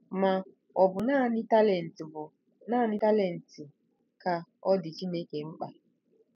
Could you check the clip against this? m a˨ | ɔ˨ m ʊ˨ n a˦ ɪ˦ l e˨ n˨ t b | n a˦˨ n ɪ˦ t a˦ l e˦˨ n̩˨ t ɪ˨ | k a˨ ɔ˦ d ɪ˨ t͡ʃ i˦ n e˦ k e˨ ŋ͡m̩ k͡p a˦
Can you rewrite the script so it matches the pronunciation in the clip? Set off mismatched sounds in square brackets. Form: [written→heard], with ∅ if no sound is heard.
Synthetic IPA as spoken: m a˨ | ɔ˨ [m→b] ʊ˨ n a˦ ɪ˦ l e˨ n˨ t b | n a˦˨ n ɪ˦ t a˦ l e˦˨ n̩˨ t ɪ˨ | k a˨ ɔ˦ d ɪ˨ t͡ʃ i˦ n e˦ k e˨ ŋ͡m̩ k͡p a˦

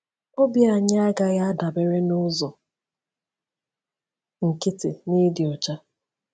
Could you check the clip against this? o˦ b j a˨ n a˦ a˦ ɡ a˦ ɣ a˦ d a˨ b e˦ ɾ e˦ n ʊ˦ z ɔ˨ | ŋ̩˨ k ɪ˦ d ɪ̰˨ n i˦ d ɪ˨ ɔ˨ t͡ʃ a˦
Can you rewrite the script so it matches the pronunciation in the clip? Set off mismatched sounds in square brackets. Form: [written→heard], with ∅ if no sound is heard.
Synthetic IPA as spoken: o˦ b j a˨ [n→ɲ] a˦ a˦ ɡ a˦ ɣ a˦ d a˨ b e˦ ɾ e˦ n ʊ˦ z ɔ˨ | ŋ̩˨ k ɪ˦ [d→t] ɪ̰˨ n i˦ d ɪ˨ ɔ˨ t͡ʃ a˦

